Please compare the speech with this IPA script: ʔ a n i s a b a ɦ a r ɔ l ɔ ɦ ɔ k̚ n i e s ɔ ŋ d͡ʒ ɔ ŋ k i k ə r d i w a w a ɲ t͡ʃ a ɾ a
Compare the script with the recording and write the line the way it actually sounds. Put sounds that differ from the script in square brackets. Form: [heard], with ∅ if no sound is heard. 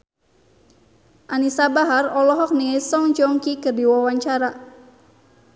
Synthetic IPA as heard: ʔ a n i s a b a ɦ a r ɔ l ɔ ɦ ɔ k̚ n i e s ɔ ŋ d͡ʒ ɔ ŋ k i k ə r d i w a w a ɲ t͡ʃ a ɾ a